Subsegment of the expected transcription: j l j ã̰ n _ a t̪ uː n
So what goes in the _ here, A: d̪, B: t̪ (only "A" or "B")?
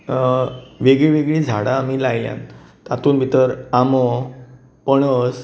B